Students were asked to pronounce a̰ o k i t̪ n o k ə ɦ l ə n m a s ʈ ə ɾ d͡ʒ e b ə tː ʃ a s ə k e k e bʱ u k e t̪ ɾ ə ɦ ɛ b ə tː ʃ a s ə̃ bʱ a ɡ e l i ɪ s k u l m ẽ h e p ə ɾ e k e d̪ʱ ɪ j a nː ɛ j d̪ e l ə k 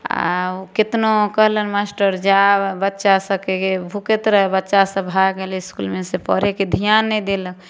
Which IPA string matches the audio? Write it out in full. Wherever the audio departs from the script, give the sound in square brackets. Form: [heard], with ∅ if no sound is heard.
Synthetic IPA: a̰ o k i t̪ n o k ə ɦ l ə n m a s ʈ ə ɾ d͡ʒ [a] b ə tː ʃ a s ə k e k e bʱ u k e t̪ ɾ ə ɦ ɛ b ə tː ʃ a s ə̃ bʱ a ɡ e l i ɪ s k u l m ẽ [s] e p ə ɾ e k e d̪ʱ [i] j a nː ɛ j d̪ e l ə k